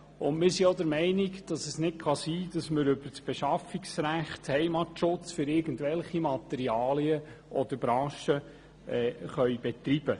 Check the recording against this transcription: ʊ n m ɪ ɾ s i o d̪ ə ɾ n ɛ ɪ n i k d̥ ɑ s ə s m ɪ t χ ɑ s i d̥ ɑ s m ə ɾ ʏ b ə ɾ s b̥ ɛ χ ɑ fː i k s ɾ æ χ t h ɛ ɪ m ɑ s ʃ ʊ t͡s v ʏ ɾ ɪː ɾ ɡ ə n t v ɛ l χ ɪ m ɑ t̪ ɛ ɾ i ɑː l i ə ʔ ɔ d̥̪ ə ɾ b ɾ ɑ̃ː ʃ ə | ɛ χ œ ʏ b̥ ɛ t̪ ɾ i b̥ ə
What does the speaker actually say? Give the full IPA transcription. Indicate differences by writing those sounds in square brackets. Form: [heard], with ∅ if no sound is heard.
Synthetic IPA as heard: ʊ n m ɪ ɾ s i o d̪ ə ɾ [m] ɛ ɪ n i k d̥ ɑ s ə s [n] ɪ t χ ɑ s [iː] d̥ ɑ s m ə ɾ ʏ b ə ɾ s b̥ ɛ [ʃ] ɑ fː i k s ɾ æ χ t h ɛ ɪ m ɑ [t] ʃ ʊ t͡s [f] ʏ ɾ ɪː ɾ ɡ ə n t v ɛ l χ [i] m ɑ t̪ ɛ ɾ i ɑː l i ə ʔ ɔ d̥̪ ə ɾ b ɾ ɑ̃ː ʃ ə | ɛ χ œ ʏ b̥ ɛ t̪ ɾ i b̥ ə

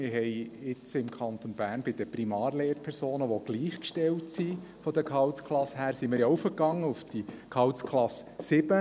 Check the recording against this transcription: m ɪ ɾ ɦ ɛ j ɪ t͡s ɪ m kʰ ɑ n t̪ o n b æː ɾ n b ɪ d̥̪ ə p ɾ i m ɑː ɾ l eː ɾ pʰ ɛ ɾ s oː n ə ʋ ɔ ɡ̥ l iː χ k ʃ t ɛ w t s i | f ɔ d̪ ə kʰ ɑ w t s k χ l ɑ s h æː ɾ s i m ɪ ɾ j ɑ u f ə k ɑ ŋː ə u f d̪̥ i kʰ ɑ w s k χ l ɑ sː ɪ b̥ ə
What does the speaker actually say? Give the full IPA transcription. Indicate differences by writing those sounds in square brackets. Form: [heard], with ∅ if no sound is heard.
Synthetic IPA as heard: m ɪ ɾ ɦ ɛ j ɪ t͡s ɪ m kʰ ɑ n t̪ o n b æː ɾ n b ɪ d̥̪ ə p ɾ i m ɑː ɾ l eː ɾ pʰ ɛ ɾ s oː n ə ʋ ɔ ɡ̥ l iː χ k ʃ t ɛ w t s i | f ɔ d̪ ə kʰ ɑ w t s k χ l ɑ s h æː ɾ s i m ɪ ɾ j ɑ u f ə k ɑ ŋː ə u f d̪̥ i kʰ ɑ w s k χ l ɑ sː ɪ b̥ ə

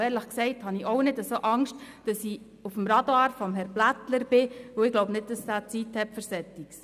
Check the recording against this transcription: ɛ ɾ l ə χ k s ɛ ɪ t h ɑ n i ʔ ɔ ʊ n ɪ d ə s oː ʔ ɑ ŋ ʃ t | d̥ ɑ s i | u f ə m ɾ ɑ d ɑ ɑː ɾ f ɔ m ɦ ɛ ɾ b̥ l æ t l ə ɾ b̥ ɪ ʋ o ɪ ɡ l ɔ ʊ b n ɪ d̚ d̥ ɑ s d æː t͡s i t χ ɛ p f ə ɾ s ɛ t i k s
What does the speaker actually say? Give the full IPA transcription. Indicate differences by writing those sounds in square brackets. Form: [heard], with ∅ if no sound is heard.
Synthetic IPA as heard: [ɛː] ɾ l ə χ k s ɛ ɪ t h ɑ n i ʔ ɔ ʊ n ɪ d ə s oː ʔ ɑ ŋ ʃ t | d̥ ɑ s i | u f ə m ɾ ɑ d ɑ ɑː ɾ f ɔ m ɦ ɛ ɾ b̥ l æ t l ə ɾ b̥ ɪ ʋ o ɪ ɡ l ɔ ʊ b n ɪ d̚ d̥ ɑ s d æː t͡s i t [h] ɛ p f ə ɾ s ɛ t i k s

